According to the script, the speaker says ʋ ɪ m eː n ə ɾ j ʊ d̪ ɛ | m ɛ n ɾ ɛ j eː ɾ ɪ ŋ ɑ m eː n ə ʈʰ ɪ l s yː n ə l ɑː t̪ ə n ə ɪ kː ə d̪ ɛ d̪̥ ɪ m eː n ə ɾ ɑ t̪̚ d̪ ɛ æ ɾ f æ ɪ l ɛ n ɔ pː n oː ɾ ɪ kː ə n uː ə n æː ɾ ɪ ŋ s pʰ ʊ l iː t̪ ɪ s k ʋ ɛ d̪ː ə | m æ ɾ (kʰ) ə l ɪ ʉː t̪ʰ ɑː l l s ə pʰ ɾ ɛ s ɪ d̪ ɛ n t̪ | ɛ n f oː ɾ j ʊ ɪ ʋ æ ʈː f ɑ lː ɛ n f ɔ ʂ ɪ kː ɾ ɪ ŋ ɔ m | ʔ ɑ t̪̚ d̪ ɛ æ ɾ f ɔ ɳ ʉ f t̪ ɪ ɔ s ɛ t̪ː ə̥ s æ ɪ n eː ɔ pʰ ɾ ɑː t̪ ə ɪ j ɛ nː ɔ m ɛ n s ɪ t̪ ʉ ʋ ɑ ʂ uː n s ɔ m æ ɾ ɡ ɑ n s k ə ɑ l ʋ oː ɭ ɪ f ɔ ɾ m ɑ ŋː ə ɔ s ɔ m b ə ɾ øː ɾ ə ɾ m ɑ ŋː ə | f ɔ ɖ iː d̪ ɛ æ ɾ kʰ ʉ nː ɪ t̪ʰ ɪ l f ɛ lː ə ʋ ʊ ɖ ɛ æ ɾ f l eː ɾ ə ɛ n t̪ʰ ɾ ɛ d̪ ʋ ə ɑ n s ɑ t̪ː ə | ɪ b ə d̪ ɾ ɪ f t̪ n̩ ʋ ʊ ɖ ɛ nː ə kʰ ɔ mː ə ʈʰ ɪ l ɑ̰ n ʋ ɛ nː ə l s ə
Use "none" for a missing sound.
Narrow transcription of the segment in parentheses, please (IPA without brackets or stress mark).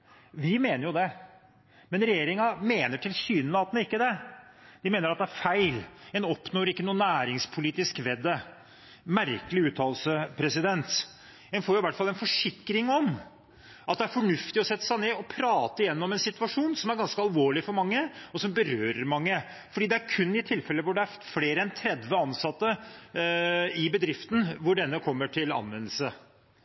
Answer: k